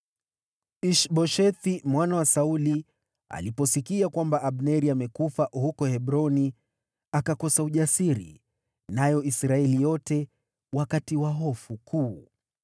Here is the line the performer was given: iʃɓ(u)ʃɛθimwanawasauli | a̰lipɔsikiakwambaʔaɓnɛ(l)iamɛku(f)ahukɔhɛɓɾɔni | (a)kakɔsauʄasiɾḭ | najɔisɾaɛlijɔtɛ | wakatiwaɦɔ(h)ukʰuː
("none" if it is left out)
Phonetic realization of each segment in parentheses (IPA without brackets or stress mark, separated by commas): ɔ, ɾ, f, a, f